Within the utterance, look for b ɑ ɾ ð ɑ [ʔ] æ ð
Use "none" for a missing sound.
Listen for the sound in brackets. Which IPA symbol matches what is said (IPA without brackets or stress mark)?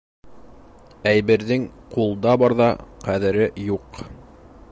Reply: q